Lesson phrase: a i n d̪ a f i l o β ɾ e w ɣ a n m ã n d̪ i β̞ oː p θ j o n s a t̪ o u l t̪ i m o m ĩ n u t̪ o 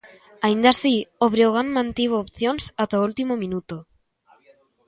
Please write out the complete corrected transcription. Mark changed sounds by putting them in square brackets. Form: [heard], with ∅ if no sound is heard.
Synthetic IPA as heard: a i n d̪ a [s] i [∅] o β ɾ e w ɣ a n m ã n [t̪] i β̞ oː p θ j o n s a t̪ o u l t̪ i m o m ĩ n u t̪ o